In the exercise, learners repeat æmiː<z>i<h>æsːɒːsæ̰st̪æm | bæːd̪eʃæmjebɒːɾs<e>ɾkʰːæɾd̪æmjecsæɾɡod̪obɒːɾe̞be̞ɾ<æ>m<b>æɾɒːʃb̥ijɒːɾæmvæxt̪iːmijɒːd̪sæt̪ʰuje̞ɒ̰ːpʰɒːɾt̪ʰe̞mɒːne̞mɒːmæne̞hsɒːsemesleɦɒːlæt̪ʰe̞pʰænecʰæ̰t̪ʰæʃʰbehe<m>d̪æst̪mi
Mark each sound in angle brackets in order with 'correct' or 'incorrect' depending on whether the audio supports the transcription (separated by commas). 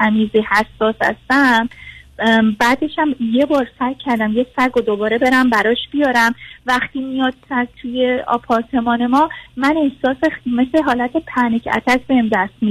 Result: correct, correct, incorrect, correct, correct, correct